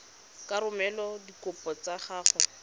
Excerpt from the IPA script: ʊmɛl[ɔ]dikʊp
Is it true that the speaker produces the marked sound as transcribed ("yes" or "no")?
yes